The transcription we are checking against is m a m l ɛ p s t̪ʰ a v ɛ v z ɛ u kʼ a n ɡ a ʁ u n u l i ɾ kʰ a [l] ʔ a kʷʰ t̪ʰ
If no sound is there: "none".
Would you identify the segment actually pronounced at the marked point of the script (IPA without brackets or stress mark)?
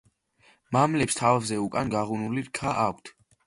none